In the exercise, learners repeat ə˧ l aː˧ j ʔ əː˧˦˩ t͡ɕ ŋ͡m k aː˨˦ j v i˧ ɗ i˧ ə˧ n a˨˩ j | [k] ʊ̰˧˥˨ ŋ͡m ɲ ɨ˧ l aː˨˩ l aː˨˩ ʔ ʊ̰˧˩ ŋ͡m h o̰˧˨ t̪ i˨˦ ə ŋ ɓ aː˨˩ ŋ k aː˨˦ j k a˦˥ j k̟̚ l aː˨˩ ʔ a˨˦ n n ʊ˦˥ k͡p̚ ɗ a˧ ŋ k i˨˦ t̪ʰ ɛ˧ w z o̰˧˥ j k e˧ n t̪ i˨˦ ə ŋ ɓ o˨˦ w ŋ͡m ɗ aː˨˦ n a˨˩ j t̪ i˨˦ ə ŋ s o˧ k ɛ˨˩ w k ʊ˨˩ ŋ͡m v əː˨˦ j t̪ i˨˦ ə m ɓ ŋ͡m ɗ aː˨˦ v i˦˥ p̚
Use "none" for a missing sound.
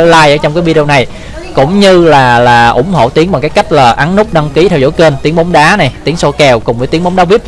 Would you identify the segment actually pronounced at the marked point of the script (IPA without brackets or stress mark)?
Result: k